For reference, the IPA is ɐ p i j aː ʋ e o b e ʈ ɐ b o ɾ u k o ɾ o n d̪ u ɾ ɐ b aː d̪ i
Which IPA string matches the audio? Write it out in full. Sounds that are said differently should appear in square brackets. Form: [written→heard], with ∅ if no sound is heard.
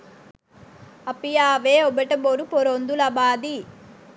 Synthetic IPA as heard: ɐ p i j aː ʋ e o b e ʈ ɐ b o ɾ u [k→p] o ɾ o n d̪ u [ɾ→l] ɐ b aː d̪ i